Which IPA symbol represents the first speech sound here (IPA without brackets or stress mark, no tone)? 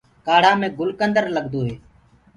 k